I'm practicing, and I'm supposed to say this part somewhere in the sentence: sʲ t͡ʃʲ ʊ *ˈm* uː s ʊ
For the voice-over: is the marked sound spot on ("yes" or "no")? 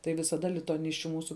yes